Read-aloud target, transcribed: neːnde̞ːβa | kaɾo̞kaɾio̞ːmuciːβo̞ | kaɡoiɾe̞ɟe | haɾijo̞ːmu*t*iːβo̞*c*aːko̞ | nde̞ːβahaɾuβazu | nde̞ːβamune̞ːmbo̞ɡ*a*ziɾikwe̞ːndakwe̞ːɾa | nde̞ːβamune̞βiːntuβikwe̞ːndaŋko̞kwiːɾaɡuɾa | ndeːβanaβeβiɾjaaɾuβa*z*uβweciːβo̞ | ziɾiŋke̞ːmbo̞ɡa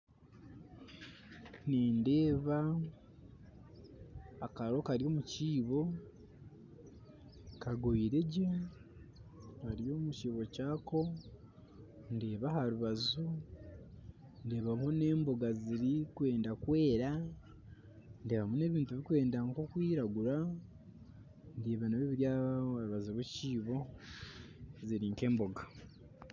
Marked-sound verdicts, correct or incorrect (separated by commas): incorrect, correct, correct, correct